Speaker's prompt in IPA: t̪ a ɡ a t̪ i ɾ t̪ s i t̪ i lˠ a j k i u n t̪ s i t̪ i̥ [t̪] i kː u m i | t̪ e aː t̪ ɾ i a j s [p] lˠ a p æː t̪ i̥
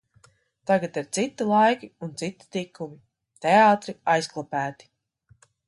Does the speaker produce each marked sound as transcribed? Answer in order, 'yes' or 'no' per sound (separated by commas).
yes, no